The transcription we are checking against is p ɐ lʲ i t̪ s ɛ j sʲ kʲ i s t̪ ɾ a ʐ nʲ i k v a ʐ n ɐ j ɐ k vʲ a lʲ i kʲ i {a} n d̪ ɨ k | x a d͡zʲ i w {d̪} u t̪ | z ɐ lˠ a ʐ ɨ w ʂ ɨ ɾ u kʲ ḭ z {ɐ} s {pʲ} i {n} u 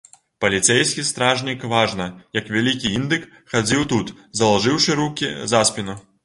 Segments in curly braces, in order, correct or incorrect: incorrect: i, incorrect: t̪, incorrect: a, correct, correct

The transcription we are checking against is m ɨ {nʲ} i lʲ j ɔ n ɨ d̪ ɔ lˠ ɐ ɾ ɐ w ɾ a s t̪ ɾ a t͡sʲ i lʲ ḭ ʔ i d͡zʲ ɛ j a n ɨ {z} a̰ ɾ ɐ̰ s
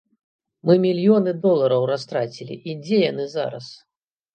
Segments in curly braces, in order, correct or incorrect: incorrect: mʲ, correct

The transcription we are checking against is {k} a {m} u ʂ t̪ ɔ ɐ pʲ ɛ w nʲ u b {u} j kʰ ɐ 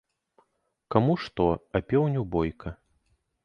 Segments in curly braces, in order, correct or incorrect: correct, correct, incorrect: ɔ

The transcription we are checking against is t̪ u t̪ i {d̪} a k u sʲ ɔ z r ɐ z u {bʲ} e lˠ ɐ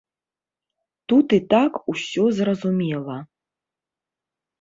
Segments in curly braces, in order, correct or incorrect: incorrect: t̪, incorrect: mʲ

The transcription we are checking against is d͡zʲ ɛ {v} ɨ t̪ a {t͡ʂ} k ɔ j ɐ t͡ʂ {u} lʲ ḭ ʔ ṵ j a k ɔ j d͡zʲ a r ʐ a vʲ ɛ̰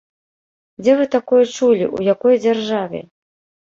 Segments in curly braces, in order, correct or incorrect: correct, incorrect: none, correct

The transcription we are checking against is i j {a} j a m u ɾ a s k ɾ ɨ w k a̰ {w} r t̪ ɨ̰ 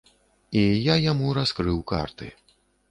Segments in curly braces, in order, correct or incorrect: correct, incorrect: none

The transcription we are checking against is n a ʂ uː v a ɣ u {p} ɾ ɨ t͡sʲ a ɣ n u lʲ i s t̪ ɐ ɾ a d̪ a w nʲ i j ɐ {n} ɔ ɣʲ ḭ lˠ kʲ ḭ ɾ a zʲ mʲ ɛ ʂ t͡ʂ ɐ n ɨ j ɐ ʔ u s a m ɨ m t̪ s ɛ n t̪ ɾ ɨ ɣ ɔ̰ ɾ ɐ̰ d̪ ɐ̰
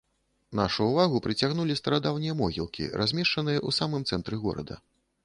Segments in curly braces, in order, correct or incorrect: correct, incorrect: m

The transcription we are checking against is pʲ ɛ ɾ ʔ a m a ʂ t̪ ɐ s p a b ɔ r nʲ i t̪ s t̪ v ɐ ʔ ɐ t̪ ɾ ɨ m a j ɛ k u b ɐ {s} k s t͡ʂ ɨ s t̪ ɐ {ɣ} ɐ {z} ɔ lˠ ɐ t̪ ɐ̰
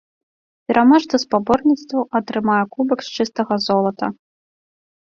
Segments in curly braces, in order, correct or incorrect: incorrect: none, correct, correct

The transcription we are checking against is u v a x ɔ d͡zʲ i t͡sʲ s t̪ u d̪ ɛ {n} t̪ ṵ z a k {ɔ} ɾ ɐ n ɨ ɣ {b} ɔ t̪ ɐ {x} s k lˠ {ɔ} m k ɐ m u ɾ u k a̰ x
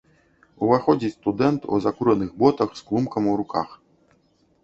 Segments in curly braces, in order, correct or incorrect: correct, incorrect: u, correct, correct, incorrect: u

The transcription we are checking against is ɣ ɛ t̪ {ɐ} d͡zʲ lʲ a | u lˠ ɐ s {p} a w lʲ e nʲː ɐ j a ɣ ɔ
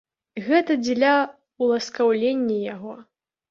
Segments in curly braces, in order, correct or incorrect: correct, incorrect: k

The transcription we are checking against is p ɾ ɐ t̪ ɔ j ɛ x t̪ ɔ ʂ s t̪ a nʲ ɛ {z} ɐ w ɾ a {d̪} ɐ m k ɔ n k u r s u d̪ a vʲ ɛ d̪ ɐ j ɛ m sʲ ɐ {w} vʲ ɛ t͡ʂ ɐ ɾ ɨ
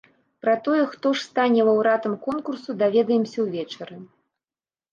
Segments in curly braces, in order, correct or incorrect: incorrect: v, incorrect: t̪, correct

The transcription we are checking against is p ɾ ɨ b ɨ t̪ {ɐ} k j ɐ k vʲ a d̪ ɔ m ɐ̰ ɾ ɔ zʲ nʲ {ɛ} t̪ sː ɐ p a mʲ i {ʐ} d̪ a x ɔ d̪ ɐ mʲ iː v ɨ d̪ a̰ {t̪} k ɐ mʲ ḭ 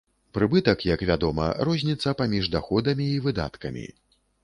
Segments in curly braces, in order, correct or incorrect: correct, incorrect: i, correct, correct

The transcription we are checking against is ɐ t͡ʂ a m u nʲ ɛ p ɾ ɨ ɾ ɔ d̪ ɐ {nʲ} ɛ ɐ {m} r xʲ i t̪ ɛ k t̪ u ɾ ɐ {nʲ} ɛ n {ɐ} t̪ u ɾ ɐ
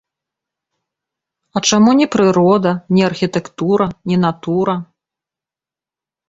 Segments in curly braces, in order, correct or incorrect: correct, incorrect: none, correct, incorrect: a

